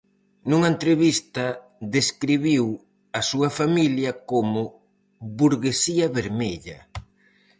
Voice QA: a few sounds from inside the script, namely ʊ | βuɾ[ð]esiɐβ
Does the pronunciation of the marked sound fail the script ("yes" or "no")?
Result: yes